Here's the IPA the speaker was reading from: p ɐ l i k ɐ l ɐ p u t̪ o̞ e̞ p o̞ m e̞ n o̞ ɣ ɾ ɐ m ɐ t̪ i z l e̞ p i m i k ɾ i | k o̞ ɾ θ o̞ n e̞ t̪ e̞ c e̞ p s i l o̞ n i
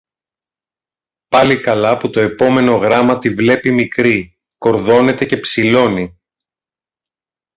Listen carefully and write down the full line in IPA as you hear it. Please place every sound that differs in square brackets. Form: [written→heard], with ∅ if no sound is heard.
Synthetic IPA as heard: p ɐ l i k ɐ l ɐ p u t̪ o̞ e̞ p o̞ m e̞ n o̞ ɣ ɾ ɐ m ɐ t̪ i [z→v] l e̞ p i m i k ɾ i | k o̞ ɾ [θ→ð] o̞ n e̞ t̪ e̞ c e̞ p s i l o̞ n i

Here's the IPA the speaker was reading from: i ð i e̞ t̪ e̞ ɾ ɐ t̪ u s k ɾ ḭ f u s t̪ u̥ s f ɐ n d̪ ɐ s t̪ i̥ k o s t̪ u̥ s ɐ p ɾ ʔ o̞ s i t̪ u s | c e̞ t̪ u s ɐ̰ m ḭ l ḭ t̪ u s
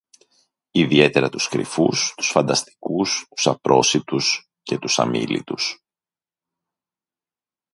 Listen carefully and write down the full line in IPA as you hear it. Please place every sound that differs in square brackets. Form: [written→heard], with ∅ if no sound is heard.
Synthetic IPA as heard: i ð i e̞ t̪ e̞ ɾ ɐ t̪ u s k ɾ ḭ f u s t̪ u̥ s f ɐ n d̪ ɐ s t̪ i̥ k [o→u] s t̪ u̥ s ɐ p ɾ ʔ o̞ s i t̪ u s | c e̞ t̪ u s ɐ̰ m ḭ l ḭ t̪ u s

